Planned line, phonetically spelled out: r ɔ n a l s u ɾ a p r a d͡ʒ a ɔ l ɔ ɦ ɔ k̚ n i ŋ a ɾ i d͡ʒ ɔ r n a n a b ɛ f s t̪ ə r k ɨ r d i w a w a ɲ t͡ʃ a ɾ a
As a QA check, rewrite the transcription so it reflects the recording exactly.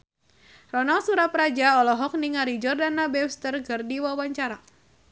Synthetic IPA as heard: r ɔ n a l s u ɾ a p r a d͡ʒ a ɔ l ɔ ɦ ɔ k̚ n i ŋ a ɾ i d͡ʒ ɔ r d a n a b ɛ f s t̪ ə r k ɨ r d i w a w a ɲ t͡ʃ a ɾ a